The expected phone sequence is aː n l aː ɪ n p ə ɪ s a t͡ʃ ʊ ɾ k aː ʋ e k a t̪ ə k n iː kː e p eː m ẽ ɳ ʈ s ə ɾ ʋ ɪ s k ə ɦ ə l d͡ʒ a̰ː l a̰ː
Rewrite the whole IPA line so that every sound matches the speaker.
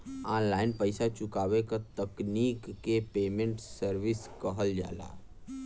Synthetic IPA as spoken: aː n l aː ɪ n p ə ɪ s a t͡ʃ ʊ k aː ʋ e k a t̪ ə k n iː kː e p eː m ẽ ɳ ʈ s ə ɾ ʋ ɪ s k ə ɦ ə l d͡ʒ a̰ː l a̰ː